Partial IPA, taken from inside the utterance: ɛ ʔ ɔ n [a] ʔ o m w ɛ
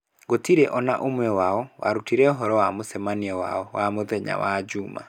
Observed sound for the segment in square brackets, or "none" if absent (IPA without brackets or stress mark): a